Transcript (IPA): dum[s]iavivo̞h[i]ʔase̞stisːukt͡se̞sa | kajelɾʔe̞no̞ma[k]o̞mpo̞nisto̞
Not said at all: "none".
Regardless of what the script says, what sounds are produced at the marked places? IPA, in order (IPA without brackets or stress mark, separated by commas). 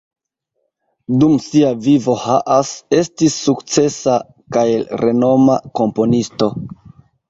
s, a, k